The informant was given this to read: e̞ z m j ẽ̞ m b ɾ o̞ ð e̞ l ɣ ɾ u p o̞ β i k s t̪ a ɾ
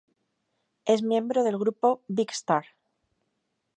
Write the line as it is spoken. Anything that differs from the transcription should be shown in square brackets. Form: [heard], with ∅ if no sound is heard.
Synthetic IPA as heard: e̞ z m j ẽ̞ m b ɾ o̞ ð e̞ l ɣ ɾ u p o̞ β i k s t̪ a ɾ